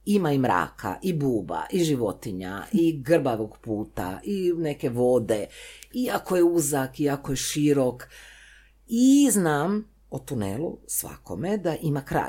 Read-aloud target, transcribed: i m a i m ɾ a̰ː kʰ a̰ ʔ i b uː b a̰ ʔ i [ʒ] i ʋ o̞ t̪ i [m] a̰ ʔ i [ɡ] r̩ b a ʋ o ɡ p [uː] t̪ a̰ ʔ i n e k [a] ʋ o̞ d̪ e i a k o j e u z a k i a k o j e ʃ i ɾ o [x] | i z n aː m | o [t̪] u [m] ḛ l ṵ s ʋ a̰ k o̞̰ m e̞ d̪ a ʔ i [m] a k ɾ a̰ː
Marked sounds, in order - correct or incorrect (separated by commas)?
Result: correct, incorrect, correct, correct, incorrect, incorrect, correct, incorrect, correct